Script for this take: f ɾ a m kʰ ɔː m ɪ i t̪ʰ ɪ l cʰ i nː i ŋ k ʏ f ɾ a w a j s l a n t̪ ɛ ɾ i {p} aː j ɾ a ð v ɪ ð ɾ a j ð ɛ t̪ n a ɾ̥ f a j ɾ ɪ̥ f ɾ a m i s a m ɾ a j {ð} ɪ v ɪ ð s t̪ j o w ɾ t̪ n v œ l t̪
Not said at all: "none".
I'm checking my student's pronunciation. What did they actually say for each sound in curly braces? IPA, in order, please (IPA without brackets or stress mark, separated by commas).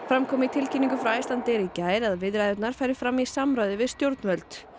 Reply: c, ð